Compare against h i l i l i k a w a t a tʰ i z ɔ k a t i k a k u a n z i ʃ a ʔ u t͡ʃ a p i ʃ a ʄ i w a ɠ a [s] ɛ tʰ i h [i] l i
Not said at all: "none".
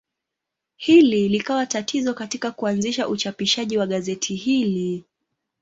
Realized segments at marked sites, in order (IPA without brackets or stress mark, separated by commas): z, i